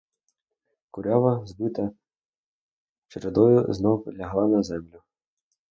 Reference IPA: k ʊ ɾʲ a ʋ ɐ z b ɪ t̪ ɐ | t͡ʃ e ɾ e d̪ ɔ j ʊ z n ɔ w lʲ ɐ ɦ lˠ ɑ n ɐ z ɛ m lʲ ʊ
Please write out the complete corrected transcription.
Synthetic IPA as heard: k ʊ ɾʲ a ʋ ɐ z b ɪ t̪ ɐ | t͡ʃ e ɾ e d̪ ɔ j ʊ z n ɔ w lʲ ɐ ɦ lˠ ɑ n ɐ z ɛ m lʲ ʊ

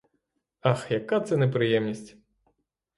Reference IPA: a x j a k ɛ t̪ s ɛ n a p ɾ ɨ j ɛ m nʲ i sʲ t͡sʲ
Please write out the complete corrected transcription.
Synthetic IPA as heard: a x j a k a t̪ s ɛ n ɛ p ɾ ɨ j ɛ m nʲ i sʲ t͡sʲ

